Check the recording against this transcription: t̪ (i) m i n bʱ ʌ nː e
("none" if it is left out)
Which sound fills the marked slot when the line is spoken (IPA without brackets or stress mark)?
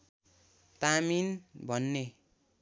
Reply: a